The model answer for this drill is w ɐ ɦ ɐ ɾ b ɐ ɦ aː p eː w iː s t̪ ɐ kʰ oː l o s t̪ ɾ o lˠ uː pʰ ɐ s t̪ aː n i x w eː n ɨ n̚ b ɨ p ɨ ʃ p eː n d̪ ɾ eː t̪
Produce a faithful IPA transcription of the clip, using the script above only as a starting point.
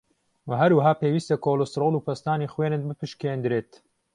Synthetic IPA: w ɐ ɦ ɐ ɾ w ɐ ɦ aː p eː w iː s t̪ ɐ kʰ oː l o s t̪ ɾ o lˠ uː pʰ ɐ s t̪ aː n i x w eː n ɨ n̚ b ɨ p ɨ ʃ k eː n d̪ ɾ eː t̪

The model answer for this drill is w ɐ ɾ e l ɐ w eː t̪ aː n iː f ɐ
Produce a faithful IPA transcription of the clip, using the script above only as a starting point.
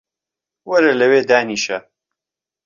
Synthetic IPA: w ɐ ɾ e l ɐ w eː d̪ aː n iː ʃ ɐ

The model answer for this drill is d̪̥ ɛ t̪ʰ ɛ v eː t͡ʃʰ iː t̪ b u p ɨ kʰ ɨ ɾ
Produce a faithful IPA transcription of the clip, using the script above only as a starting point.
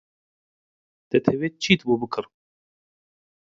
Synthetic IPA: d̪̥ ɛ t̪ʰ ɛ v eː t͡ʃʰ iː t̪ b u b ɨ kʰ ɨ ɾ

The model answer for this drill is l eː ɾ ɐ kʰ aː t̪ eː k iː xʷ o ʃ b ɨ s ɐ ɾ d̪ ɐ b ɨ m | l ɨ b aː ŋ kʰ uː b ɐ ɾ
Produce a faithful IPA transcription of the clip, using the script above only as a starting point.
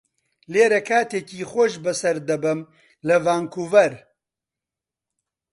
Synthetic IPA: l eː ɾ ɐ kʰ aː t̪ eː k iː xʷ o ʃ b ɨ s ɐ ɾ d̪ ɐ b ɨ m | l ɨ v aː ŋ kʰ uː v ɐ ɾ

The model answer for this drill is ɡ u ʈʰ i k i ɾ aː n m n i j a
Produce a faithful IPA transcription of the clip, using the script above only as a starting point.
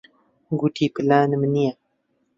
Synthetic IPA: ɡ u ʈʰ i p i l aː n m n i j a

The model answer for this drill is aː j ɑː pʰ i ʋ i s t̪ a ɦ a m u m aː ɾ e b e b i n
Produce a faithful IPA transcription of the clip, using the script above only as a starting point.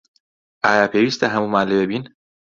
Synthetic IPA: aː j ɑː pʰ e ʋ i s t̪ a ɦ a m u m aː l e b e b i n

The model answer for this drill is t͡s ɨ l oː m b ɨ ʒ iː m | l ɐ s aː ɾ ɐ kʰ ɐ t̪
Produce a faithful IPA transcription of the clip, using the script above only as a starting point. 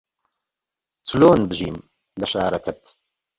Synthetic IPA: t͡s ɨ l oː n b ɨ ʒ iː m | l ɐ ʃ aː ɾ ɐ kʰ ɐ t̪

